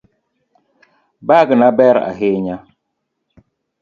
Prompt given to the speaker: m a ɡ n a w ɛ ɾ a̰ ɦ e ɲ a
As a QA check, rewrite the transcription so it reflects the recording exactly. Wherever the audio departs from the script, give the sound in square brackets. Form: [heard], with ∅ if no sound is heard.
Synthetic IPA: [b] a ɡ n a [b] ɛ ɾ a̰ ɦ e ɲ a